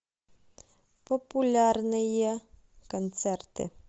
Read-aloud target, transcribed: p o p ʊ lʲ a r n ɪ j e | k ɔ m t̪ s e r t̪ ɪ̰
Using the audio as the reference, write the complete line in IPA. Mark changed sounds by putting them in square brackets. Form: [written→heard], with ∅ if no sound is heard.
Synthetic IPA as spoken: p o p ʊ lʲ a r n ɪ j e | k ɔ [m→n] t̪ s [e→ɛ] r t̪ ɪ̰